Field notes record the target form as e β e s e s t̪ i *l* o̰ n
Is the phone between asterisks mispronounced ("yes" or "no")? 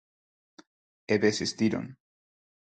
yes